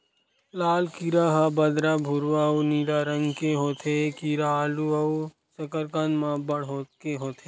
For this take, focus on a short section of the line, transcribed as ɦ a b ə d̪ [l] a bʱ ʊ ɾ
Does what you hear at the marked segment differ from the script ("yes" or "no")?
yes